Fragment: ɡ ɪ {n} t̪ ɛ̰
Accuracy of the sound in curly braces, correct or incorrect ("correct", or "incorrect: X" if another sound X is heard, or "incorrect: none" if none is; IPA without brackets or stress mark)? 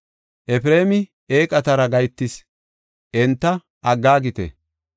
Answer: incorrect: none